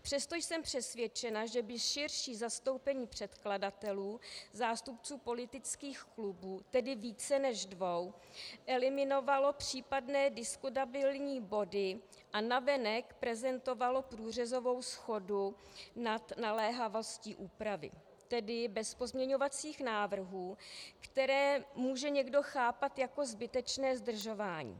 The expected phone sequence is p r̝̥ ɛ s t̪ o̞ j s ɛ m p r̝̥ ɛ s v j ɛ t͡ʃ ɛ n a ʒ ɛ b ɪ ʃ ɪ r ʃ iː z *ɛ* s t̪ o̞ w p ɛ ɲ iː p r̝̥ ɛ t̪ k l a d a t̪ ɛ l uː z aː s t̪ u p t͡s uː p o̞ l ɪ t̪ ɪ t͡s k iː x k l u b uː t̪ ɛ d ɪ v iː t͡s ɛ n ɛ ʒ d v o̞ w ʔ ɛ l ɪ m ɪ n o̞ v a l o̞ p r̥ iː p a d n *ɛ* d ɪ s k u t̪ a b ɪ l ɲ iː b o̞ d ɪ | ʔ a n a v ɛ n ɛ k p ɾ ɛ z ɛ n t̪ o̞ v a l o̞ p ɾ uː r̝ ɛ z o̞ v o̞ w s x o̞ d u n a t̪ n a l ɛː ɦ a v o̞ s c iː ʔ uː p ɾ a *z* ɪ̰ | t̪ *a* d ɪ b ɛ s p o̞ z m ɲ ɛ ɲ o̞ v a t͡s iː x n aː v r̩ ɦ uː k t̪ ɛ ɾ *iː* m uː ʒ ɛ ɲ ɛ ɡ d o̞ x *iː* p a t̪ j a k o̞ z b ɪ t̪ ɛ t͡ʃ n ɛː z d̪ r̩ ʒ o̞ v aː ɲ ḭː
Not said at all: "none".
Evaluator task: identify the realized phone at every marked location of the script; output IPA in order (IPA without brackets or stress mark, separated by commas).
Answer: a, ɛː, v, ɛ, ɛː, aː